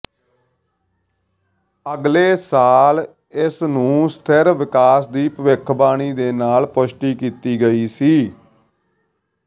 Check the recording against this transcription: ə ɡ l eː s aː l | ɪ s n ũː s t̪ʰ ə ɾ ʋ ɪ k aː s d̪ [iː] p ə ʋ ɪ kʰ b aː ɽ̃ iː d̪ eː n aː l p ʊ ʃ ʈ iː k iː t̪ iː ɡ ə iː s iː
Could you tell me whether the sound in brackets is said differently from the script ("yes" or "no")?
no